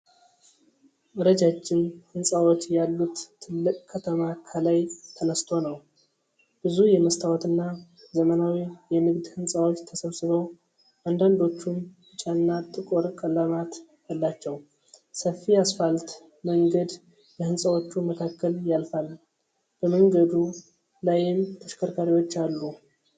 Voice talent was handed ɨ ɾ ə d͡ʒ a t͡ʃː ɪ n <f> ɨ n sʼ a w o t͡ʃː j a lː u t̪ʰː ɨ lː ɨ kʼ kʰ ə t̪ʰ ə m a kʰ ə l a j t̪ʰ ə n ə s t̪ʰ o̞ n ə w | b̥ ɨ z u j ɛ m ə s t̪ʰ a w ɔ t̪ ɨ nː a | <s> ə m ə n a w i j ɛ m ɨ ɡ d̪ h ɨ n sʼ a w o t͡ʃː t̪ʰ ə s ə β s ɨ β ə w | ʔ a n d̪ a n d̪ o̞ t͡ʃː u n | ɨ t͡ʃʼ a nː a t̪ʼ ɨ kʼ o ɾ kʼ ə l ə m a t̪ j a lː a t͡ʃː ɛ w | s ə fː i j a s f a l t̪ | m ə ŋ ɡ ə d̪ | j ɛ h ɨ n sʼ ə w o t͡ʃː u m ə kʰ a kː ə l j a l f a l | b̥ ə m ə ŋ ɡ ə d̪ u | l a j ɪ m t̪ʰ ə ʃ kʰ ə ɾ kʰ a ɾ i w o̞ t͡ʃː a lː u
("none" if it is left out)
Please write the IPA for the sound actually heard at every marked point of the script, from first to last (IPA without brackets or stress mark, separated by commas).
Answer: h, z